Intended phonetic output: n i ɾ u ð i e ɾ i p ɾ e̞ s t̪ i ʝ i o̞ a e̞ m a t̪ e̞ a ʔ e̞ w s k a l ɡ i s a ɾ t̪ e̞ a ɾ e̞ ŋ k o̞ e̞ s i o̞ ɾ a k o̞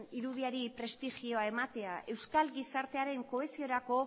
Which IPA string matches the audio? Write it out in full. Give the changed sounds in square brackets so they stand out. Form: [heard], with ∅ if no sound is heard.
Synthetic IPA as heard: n i ɾ u ð i [a] ɾ i p ɾ e̞ s t̪ i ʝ i o̞ a e̞ m a t̪ e̞ a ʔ e̞ w s k a l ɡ i s a ɾ t̪ e̞ a ɾ e̞ ŋ k o̞ e̞ s i o̞ ɾ a k o̞